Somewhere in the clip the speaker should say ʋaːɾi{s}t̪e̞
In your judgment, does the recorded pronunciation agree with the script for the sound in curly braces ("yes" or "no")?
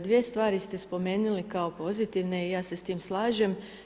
yes